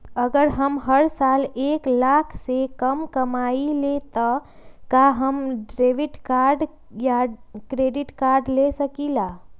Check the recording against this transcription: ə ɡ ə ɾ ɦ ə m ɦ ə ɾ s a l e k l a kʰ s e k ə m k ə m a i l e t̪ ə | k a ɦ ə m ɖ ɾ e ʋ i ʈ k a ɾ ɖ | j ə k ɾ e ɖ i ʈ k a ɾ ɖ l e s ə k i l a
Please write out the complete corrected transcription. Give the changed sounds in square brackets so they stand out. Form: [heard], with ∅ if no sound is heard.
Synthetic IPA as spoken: ə ɡ ə ɾ ɦ ə m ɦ ə ɾ s a l e k l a kʰ s e k ə m k ə m a i l e t̪ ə | k a ɦ ə m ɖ ɾ e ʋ i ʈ k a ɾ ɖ | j [a] k ɾ e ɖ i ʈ k a ɾ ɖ l e s ə k i l a